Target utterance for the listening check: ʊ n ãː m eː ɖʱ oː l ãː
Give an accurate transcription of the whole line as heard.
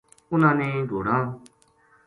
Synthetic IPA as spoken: ʊ n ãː n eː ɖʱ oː ɽ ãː